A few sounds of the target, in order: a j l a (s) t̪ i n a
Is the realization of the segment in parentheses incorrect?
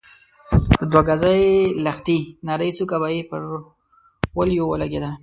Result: yes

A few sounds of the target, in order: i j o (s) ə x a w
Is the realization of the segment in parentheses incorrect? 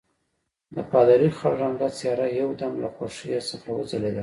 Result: no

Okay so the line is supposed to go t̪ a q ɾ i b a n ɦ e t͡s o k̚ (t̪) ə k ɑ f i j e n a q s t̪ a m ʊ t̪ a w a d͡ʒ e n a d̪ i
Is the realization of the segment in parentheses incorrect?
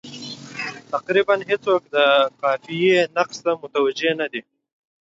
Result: yes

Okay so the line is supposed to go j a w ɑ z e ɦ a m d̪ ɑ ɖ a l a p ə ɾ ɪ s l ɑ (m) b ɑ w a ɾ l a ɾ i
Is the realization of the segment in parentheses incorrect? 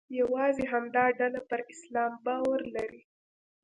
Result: no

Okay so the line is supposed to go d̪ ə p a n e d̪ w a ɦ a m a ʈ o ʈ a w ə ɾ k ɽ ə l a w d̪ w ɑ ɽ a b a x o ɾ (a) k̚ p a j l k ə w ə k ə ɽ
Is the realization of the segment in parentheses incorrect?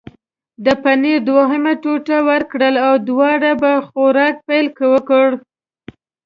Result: yes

